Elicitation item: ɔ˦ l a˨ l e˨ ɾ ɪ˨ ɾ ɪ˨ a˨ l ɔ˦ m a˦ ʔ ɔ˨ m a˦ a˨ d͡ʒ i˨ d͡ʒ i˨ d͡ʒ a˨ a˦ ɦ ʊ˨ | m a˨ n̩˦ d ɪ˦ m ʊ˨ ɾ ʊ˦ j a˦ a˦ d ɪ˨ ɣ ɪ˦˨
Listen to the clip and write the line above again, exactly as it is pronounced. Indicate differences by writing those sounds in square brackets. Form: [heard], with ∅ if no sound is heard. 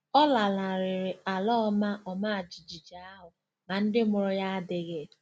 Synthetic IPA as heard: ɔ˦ l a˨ l [a˨] ɾ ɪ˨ ɾ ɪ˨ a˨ l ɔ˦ m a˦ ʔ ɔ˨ m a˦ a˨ d͡ʒ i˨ d͡ʒ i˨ d͡ʒ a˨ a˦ ɦ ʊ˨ | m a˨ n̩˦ d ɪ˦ m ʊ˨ ɾ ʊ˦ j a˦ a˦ d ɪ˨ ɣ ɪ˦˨